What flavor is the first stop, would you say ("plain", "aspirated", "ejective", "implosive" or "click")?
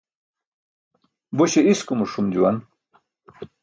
plain